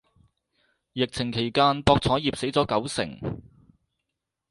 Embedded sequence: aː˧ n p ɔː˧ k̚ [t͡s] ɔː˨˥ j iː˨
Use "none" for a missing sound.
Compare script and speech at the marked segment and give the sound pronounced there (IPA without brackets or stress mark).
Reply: t͡sʰ